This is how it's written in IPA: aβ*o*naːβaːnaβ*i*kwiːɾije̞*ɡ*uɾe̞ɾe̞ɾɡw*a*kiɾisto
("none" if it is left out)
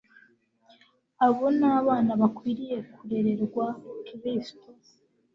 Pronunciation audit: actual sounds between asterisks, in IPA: o, a, k, a

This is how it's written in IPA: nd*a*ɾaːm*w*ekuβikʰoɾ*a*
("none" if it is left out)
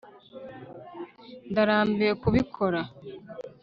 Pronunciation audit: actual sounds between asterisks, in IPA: a, b, a

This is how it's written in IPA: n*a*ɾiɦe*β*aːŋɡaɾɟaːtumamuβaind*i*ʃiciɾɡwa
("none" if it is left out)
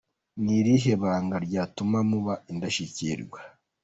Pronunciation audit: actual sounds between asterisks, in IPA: i, β, a

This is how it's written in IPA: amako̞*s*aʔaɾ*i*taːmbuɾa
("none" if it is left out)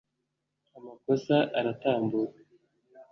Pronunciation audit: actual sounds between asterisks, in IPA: s, a

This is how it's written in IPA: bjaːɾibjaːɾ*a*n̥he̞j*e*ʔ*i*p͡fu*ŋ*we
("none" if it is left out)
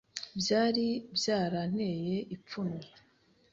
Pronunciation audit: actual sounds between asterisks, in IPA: a, e, i, n

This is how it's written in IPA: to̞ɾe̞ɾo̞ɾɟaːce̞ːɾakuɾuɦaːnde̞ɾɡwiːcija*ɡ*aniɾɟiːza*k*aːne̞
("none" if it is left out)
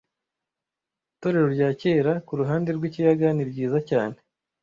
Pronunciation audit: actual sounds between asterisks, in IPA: ɡ, c

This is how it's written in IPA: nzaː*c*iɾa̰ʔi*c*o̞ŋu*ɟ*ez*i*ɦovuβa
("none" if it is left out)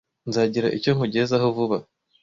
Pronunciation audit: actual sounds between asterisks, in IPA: ɟ, c, ɟ, a

